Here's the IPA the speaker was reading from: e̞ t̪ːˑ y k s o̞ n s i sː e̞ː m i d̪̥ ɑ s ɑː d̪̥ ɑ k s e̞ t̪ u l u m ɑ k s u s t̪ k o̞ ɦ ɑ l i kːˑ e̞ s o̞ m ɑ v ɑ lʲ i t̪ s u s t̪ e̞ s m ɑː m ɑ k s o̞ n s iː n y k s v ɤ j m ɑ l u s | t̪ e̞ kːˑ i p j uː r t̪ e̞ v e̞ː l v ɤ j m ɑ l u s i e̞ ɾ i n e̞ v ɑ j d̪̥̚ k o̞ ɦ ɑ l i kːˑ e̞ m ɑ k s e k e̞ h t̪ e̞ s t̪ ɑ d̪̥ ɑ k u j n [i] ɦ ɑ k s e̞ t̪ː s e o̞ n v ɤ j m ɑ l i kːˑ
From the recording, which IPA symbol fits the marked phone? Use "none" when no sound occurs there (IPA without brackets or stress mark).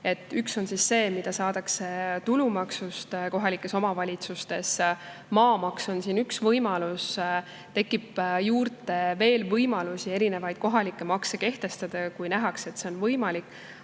æ